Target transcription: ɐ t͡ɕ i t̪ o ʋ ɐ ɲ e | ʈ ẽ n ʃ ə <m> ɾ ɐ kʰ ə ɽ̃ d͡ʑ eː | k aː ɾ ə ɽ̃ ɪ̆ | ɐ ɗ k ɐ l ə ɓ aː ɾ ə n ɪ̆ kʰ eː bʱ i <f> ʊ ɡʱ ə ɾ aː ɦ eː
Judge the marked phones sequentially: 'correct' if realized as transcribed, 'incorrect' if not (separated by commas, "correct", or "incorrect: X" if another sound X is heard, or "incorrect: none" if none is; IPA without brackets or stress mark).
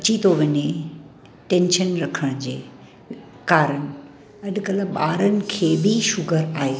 incorrect: n, incorrect: ʃ